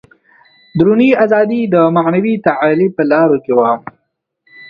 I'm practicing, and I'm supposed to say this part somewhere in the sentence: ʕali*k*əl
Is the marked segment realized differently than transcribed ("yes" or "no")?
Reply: yes